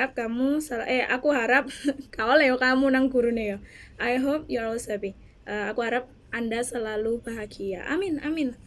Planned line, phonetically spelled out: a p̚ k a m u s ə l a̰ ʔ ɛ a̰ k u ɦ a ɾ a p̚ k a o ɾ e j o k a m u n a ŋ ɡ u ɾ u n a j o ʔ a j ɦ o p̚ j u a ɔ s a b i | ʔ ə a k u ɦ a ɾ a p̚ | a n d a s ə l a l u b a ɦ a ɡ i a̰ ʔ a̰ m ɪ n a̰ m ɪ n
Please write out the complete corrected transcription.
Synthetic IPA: a p̚ k a m u s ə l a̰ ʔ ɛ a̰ k u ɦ a ɾ a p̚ k a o l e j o k a m u n a ŋ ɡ u ɾ u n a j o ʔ a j ɦ o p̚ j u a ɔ s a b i | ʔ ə a k u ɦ a ɾ a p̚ | a n d a s ə l a l u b a ɦ a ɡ i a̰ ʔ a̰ m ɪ n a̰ m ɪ n